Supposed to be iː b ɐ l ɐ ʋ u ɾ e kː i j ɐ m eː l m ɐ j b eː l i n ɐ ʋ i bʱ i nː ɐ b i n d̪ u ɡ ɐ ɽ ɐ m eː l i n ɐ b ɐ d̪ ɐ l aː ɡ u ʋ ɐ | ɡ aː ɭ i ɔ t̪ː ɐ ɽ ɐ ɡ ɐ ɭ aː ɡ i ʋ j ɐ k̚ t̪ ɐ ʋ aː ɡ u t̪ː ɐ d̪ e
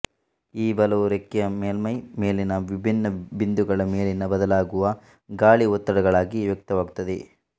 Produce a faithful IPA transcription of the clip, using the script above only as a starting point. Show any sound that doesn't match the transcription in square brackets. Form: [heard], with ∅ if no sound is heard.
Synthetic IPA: iː b ɐ l ɐ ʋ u ɾ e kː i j ɐ m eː l m ɐ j [m] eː l i n ɐ ʋ i bʱ i nː ɐ b i n d̪ u ɡ ɐ [ɭ] ɐ m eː l i n ɐ b ɐ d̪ ɐ l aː ɡ u ʋ ɐ | ɡ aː ɭ i ɔ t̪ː ɐ ɽ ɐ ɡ ɐ ɭ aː ɡ i ʋ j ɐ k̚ t̪ ɐ ʋ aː ɡ u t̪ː ɐ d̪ e